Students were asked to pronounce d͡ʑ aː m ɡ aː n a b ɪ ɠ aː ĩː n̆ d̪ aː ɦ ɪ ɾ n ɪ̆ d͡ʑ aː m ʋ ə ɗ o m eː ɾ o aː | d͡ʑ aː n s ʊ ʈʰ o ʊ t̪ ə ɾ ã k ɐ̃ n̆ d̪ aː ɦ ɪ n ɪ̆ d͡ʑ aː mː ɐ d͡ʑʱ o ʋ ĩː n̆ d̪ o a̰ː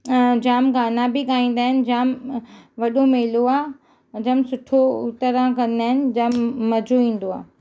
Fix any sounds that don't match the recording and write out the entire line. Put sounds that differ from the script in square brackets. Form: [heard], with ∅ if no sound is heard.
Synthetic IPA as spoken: d͡ʑ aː m ɡ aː n a b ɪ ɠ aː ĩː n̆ d̪ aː ɦ ɪ [∅] n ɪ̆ d͡ʑ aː m ʋ [ɐ] ɗ o m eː [l] o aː | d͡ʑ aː [m] s ʊ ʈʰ o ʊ t̪ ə ɾ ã k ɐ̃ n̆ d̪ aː ɦ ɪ n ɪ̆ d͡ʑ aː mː ɐ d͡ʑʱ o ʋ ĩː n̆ d̪ o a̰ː